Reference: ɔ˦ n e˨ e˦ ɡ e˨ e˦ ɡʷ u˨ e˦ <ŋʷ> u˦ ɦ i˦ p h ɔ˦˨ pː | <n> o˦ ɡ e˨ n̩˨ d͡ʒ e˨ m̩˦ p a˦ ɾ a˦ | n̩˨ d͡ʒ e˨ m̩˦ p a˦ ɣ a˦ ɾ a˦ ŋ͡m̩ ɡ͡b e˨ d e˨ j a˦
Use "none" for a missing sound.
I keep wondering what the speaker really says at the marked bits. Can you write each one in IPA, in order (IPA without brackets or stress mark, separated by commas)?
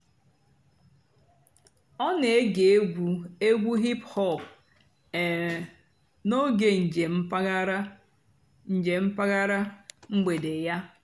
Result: ɡʷ, n